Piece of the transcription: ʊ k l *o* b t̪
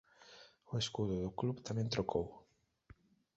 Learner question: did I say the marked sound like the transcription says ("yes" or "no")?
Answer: no